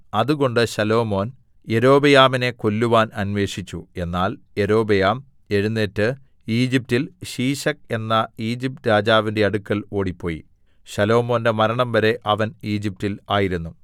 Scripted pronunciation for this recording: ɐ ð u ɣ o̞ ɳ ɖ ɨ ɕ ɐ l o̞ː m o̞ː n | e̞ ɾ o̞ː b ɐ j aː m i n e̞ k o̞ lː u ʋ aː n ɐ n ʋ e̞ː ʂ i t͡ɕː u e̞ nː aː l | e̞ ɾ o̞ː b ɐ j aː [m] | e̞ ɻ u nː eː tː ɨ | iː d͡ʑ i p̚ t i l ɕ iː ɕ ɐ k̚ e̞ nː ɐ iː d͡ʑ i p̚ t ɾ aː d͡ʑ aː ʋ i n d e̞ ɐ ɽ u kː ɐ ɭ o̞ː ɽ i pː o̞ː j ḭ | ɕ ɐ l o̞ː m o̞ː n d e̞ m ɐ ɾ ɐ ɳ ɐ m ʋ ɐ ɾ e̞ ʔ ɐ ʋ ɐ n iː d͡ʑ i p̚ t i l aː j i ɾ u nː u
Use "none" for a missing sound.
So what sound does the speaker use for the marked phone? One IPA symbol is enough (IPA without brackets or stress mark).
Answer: m